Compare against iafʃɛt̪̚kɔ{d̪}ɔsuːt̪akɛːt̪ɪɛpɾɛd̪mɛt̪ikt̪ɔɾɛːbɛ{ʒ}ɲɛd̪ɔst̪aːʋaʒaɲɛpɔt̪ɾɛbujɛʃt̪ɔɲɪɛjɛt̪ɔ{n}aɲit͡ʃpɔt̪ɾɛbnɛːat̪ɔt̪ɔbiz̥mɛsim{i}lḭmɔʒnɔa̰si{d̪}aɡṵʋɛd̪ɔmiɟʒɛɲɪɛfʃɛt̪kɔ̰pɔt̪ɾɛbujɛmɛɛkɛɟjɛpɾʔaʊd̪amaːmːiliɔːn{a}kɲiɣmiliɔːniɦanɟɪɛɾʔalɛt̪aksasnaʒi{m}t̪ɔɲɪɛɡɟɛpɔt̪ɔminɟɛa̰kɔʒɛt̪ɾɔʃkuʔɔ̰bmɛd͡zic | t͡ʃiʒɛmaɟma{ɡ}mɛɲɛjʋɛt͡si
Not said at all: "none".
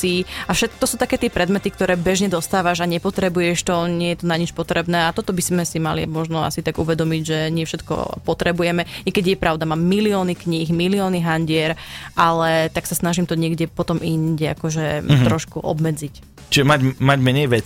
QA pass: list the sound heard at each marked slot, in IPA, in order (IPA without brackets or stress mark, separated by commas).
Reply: t̪, ʒ, n, a, t̪, i, m, ɟ